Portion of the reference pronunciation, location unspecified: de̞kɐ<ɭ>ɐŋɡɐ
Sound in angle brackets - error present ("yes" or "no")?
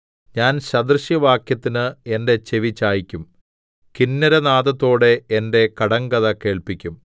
yes